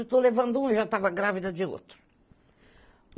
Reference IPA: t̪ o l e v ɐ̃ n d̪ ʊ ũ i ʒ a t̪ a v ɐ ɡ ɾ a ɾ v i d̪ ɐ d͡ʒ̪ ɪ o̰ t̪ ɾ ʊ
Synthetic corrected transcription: t̪ o l e v ɐ̃ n d̪ ʊ ũ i ʒ a t̪ a v ɐ ɡ ɾ a v i d̪ ɐ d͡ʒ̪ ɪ o̰ t̪ ɾ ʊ